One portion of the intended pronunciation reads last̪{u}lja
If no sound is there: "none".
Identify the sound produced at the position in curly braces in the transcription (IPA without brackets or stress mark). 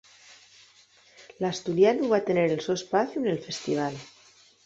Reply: u